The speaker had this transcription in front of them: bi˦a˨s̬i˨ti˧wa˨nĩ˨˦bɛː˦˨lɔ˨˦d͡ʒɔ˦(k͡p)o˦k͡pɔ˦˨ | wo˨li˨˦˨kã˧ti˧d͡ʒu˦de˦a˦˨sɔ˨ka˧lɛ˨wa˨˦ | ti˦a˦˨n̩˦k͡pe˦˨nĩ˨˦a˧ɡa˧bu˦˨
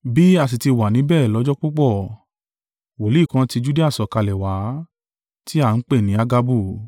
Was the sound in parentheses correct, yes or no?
yes